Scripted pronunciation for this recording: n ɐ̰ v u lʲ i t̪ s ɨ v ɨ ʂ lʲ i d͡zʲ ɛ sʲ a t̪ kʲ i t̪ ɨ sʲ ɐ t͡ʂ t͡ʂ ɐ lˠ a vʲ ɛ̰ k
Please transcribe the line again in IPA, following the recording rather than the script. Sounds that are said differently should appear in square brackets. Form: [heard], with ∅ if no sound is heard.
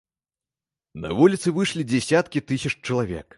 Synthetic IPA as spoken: n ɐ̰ v u lʲ i t̪ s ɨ v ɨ ʂ lʲ i d͡zʲ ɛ sʲ a t̪ kʲ i t̪ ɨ sʲ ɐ t͡ʂ t͡ʂ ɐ lˠ a vʲ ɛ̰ k